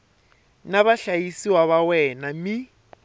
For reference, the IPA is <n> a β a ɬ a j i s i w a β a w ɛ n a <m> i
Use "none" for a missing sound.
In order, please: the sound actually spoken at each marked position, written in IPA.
n, m

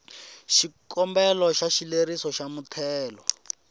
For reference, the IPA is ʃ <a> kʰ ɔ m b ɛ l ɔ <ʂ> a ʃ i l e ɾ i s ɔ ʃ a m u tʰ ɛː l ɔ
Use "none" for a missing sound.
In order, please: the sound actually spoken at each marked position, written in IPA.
i, ʃ

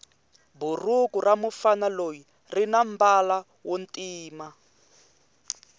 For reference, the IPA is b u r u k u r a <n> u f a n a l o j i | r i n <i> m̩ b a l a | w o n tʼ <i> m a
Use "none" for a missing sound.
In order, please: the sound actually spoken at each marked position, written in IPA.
m, a, iː

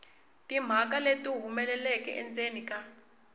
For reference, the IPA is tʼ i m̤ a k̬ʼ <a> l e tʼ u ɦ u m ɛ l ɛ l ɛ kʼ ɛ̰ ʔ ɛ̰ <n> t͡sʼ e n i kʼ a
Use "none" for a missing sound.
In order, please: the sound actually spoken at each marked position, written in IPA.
a, n

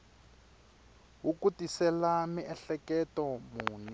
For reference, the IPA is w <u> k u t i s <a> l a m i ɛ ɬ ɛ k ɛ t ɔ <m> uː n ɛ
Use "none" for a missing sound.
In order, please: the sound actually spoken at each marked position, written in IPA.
u, ɛ, m

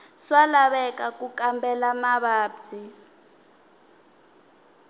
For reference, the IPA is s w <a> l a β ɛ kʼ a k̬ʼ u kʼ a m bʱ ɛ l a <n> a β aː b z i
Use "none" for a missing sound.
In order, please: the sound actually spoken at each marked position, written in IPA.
a, m

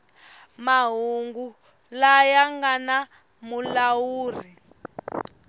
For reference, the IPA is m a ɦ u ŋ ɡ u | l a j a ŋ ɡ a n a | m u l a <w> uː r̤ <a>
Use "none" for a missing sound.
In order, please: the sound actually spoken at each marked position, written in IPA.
w, i

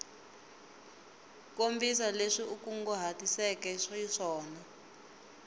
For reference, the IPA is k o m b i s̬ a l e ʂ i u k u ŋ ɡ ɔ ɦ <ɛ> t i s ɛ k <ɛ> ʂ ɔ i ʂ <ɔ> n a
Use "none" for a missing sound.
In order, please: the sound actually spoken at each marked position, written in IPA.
a, ɛ, ɔː

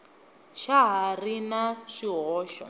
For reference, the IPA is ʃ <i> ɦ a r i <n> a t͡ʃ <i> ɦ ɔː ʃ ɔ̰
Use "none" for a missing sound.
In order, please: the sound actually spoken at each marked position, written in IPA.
a, n, i

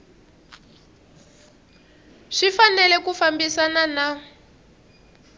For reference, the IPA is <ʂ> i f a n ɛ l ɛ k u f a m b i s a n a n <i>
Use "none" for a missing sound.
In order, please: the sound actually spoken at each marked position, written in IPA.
ʂ, a

